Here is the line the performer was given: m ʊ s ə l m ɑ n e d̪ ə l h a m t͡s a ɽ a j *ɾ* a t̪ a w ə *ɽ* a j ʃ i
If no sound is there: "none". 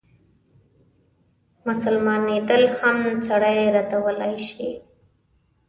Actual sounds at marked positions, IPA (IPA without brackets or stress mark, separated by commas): ɾ, l